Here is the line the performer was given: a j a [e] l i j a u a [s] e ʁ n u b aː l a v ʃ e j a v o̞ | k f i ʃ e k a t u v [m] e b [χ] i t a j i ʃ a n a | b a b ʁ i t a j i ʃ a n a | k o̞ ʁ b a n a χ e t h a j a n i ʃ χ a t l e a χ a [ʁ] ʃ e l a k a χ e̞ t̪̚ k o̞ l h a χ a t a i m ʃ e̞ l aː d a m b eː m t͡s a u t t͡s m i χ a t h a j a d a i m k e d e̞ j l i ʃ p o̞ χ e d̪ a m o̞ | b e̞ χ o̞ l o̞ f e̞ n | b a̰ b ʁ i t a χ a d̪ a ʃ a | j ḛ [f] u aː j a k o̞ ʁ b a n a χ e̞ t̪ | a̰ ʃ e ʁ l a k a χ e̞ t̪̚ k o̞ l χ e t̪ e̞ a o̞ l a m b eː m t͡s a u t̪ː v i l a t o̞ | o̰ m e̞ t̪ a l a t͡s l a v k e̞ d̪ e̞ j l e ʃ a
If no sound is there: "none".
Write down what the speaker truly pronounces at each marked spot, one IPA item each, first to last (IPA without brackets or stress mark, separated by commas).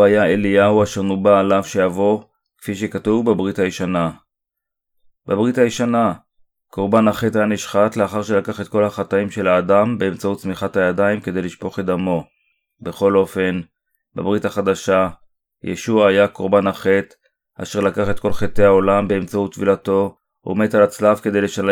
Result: e, ʃ, b, ʁ, ʁ, ʃ